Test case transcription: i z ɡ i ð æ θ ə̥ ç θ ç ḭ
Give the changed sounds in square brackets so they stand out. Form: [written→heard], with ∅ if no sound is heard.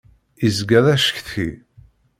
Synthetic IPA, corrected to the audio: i z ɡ [i→æ] ð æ [θ→ʃ] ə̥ ç θ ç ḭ